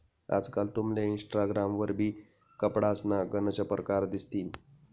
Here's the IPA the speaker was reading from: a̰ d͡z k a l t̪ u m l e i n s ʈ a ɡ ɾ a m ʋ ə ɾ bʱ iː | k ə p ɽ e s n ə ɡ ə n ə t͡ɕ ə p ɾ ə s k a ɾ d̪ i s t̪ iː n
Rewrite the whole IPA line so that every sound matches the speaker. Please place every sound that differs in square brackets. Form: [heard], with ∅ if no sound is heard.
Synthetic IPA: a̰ d͡z k a l t̪ u m l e i n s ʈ a ɡ ɾ a m ʋ ə ɾ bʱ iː | k ə p ɽ [a] s n [a] ɡ ə n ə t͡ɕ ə p ɾ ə [∅] k a ɾ d̪ i s t̪ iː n